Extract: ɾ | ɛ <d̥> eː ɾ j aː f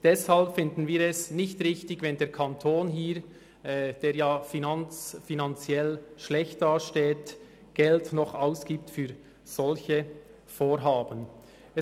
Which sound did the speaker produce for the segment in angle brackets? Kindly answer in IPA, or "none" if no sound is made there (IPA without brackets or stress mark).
d̥